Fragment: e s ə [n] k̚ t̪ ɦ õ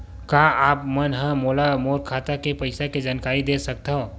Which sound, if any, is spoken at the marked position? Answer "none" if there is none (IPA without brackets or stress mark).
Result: none